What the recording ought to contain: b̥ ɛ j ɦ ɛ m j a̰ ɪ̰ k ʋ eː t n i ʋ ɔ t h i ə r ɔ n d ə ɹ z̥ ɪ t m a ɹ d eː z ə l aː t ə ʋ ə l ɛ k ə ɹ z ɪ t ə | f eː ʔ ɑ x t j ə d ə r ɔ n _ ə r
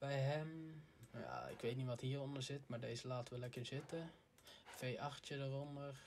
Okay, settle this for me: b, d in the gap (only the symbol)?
d